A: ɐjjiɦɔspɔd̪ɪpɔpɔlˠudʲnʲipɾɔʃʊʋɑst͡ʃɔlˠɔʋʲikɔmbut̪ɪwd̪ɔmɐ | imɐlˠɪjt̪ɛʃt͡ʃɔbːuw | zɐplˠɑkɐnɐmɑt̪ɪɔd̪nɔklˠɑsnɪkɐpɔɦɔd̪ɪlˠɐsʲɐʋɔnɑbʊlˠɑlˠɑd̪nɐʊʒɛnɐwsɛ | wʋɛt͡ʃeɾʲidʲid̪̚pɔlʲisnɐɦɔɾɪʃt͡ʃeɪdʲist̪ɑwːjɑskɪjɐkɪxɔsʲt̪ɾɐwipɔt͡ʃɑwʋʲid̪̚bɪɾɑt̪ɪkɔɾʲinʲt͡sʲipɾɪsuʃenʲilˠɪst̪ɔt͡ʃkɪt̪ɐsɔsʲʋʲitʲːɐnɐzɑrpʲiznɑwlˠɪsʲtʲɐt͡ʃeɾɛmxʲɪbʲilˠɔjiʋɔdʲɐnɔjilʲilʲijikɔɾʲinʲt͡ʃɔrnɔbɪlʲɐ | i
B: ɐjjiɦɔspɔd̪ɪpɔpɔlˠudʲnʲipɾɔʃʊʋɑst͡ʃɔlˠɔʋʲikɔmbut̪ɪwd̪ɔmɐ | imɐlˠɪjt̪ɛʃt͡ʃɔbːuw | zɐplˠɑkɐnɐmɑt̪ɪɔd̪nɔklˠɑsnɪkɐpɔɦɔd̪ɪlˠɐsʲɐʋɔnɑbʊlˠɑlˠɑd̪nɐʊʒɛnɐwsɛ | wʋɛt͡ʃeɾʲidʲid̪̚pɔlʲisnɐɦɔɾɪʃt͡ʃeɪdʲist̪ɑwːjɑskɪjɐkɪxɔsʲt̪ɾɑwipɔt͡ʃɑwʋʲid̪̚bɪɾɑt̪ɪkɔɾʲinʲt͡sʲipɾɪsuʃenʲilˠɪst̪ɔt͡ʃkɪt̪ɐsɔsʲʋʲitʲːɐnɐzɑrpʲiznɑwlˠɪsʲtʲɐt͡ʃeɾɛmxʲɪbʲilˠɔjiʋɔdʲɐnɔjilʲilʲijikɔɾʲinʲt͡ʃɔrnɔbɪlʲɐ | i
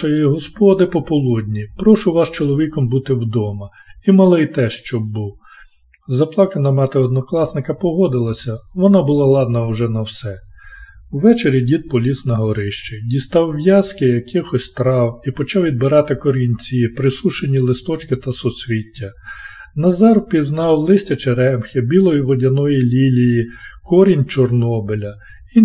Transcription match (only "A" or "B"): B